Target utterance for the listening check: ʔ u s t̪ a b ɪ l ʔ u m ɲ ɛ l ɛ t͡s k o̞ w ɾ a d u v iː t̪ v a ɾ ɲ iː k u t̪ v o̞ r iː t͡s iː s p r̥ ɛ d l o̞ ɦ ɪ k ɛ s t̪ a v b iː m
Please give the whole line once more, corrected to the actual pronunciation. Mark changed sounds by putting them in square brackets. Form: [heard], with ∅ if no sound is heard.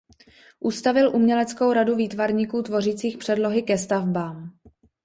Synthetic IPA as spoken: ʔ u s t̪ a [v] ɪ l ʔ u m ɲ ɛ l ɛ t͡s k o̞ w ɾ a d u v iː t̪ v a ɾ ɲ iː k [uː] t̪ v o̞ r iː t͡s iː [x] p r̥ ɛ d l o̞ ɦ ɪ k ɛ s t̪ a v b [aː] m